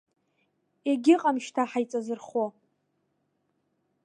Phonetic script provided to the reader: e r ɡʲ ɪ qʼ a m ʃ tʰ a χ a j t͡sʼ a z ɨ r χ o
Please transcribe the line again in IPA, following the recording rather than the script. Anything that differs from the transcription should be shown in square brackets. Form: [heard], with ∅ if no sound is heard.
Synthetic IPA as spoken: e [∅] ɡʲ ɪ qʼ a m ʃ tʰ a [ħ] a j t͡sʼ a z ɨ r χ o